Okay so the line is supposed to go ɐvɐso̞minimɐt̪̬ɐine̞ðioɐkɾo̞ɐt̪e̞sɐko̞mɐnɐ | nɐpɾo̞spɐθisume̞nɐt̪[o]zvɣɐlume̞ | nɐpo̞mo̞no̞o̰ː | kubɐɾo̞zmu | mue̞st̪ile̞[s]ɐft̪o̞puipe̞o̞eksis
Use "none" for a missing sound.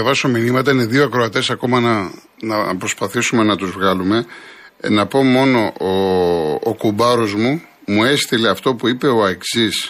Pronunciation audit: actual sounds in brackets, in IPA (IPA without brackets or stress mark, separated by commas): u, none